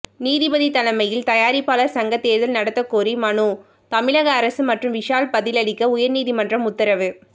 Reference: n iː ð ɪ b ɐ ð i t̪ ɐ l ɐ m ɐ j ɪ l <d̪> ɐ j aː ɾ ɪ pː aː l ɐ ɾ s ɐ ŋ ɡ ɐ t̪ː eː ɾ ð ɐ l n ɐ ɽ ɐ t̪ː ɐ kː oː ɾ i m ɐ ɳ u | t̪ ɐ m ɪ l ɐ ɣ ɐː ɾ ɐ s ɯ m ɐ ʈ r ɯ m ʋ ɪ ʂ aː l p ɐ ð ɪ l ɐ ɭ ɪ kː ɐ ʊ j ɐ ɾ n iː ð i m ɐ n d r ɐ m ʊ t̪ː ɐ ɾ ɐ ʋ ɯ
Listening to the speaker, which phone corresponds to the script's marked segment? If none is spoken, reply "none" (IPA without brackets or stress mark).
t̪